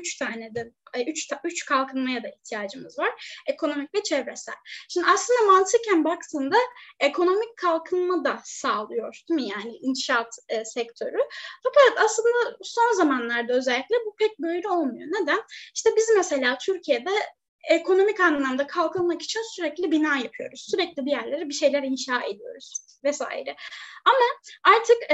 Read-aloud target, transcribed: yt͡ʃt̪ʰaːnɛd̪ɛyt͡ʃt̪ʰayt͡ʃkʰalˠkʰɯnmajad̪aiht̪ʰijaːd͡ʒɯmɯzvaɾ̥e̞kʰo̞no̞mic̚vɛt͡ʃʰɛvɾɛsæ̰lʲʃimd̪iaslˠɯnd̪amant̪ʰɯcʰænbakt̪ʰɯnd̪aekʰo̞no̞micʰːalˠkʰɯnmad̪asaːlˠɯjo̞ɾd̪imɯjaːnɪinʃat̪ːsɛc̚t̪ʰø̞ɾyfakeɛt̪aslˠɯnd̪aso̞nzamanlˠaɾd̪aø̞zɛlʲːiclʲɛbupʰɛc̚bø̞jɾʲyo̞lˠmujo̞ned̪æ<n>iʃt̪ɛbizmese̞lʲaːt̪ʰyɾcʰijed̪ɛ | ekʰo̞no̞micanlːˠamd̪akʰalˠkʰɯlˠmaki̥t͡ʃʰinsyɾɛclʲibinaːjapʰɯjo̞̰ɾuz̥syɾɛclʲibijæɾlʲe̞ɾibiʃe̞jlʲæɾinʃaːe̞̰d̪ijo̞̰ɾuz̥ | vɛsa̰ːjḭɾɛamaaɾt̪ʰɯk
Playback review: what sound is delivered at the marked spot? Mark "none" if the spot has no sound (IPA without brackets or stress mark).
n